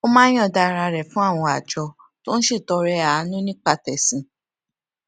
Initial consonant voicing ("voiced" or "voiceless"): voiced